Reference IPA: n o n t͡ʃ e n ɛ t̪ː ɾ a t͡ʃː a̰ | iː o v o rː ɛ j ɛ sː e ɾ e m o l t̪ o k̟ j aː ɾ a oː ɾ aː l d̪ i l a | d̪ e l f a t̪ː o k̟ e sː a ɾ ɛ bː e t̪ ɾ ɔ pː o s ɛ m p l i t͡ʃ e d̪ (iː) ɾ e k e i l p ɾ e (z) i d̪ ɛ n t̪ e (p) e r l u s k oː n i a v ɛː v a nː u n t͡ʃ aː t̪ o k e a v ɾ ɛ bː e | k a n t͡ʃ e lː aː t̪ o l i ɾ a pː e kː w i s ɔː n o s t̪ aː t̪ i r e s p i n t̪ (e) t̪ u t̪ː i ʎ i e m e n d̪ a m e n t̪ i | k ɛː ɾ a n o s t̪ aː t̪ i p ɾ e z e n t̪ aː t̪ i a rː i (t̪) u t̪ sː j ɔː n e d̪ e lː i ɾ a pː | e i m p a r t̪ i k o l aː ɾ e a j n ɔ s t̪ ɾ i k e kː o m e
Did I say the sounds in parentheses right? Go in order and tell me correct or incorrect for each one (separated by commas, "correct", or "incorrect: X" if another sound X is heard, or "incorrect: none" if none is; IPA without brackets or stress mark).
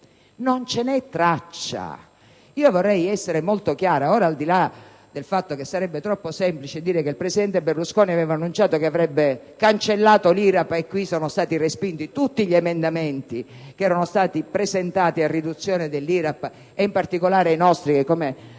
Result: correct, incorrect: s, incorrect: b, incorrect: i, incorrect: d̪